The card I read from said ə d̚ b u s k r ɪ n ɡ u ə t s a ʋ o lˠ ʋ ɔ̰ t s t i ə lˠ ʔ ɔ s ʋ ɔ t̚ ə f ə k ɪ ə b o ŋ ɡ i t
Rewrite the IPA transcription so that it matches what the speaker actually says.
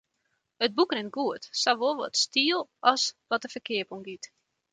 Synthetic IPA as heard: ə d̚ b u k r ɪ n ɡ u ə t s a ʋ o lˠ ʋ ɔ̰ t s t i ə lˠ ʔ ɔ s ʋ ɔ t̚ ə f ə k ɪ ə p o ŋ ɡ i t